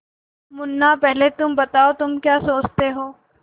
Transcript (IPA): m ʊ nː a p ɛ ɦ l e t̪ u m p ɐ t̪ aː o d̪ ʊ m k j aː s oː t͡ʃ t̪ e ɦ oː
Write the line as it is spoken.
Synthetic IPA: m ʊ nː a p ɛ ɦ l e t̪ ʊ m b ɐ t̪ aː o t̪ ʊ m k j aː s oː t͡ʃ t̪ e ɦ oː

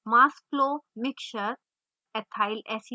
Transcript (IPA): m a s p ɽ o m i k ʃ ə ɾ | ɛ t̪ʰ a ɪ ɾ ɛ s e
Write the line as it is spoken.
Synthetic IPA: m a s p l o m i k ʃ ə ɾ | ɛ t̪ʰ a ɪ l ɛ s i

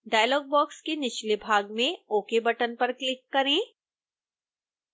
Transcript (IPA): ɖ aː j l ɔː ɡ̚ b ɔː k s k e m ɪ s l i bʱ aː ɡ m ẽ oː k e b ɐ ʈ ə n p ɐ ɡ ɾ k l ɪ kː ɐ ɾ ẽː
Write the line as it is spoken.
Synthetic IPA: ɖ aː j l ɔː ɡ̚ b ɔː k s k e n ɪ ʃ l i bʱ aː ɡ m ẽ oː k e b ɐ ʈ ə n p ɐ ɾ k l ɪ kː ɐ ɾ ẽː

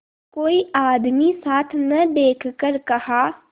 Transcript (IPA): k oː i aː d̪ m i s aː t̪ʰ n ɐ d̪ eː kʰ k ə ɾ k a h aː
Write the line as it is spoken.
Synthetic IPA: k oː i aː d̪ m i s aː t̪ʰ n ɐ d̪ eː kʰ k ə ɾ k ɐ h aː

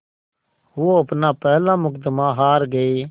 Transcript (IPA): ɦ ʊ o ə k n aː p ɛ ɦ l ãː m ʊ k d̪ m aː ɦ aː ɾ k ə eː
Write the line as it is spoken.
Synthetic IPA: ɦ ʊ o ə p n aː p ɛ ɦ l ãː m ʊ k d̪ m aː ɦ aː ɾ ɡ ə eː

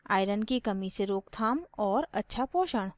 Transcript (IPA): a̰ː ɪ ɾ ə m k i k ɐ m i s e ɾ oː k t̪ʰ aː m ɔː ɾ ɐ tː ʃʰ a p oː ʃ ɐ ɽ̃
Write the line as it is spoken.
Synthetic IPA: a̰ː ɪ ɾ ə n k i k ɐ m i s e ɾ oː k t̪ʰ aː m ɔː ɾ ɐ tː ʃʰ a p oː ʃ ə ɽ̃

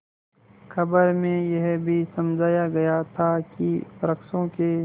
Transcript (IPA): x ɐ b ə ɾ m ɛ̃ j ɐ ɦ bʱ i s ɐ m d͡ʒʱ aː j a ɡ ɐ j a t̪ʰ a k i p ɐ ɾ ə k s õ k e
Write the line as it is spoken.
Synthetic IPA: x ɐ b ə ɾ m ẽ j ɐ ɦ bʱ i s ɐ m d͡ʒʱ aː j a ɡ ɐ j a t̪ʰ a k i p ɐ ɾ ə k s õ k e

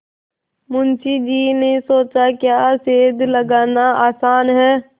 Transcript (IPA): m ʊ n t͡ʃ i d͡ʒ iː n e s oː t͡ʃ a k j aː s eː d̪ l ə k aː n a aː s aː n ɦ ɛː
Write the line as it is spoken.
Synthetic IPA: m ʊ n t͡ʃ i d͡ʒ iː n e s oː t͡ʃ a k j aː s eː d̪ l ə ɡ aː n a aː s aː n ɦ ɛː

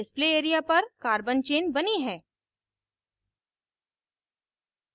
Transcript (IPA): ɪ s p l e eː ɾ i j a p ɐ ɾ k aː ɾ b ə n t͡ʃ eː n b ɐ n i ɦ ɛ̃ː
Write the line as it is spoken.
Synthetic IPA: ɪ s p l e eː ɾ i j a p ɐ ɾ k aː ɾ b ə n t͡ʃ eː n b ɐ n i ɦ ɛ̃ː

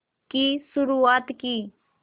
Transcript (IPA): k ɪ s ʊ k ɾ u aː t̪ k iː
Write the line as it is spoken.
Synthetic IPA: k i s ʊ ɾ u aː t̪ k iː

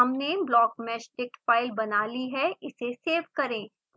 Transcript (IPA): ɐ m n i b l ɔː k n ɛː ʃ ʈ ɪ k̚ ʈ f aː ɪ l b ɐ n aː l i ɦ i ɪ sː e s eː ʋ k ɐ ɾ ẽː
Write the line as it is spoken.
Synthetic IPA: ɐ m n e b l ɔː k m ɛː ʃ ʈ ɪ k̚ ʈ f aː ɪ l b ɐ n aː l i ɦ ɛ ɪ s e s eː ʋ k ɐ ɾ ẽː

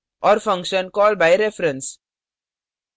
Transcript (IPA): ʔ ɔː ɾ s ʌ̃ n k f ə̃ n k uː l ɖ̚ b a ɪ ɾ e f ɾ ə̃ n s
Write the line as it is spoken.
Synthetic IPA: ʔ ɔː ɾ f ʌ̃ ŋ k ʃ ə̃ n k ɔː l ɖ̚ b a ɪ ɾ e f ɾ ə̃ n s

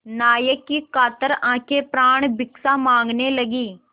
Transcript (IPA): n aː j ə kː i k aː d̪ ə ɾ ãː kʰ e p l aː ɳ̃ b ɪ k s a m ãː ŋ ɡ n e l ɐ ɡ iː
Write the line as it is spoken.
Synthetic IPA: n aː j ə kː i k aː t̪ ə ɾ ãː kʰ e p ɾ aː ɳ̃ b ɪ k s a m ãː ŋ ɡ n e l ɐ ɡ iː

